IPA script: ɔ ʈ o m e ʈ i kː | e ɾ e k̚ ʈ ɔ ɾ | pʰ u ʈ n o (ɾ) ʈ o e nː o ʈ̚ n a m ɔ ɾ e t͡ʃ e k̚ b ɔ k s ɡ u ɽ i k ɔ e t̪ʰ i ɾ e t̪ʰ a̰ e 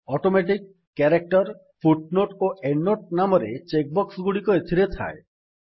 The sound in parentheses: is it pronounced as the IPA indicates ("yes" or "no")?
no